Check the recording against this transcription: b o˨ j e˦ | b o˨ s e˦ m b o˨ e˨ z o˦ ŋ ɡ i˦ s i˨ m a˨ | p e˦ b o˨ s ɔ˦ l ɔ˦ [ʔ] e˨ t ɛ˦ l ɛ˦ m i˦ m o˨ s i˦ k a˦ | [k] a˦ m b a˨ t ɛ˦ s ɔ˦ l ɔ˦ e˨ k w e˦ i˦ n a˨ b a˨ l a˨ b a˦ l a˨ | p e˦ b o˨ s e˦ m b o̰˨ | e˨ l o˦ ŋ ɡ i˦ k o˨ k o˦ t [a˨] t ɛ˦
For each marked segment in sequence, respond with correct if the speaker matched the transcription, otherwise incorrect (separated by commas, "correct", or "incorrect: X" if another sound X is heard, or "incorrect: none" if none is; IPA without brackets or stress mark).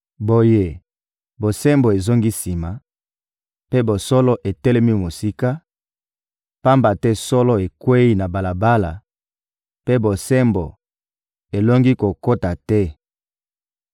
correct, incorrect: p, correct